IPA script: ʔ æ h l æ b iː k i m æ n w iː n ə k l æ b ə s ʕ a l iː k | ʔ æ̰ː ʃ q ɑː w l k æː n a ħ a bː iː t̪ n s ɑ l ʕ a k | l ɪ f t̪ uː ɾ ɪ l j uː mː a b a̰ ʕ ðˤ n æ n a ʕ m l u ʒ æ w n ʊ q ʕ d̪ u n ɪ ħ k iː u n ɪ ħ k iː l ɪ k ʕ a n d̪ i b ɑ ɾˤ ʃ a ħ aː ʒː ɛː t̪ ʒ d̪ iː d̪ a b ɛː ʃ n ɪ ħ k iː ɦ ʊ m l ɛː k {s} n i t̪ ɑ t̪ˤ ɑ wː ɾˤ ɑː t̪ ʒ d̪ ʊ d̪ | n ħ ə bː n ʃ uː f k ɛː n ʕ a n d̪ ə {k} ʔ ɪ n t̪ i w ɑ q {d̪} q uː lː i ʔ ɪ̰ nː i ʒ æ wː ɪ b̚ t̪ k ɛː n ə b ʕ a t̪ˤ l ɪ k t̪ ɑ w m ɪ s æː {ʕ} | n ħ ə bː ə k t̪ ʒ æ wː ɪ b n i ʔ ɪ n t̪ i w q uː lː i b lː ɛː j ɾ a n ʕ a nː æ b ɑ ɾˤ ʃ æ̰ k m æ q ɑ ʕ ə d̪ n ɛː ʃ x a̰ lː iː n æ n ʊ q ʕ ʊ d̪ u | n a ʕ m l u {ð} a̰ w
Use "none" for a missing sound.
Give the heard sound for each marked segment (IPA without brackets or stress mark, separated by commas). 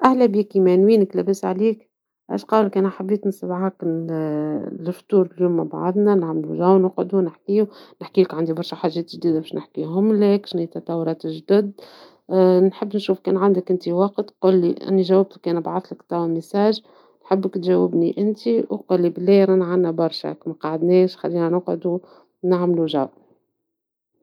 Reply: ʃ, k, t̪, ʒ, ʒ